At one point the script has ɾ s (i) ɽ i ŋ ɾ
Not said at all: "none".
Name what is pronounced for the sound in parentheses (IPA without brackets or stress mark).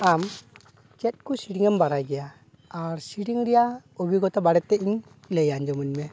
i